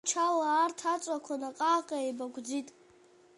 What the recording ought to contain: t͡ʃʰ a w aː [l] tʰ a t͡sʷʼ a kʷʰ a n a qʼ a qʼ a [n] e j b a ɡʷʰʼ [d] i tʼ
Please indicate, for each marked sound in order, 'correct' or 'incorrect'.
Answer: incorrect, incorrect, incorrect

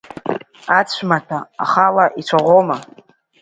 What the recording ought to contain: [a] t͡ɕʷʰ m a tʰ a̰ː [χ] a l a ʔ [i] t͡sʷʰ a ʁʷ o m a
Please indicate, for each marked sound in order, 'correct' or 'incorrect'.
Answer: correct, correct, correct

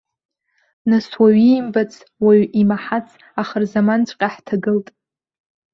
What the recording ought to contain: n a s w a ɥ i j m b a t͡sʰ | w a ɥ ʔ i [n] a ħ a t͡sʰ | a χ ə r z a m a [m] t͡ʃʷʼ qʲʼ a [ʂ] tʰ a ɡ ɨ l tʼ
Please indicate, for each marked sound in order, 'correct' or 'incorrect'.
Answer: incorrect, incorrect, incorrect

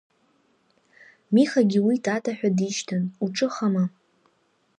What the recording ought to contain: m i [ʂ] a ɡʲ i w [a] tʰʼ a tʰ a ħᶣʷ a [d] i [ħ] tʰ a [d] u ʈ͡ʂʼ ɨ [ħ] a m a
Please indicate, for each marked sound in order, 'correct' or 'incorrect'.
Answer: incorrect, incorrect, correct, incorrect, incorrect, incorrect

